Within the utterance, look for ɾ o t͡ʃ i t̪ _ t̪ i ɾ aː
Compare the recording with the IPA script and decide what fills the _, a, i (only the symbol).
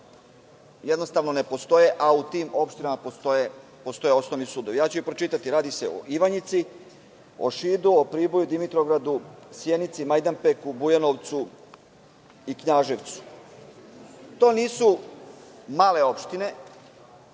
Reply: a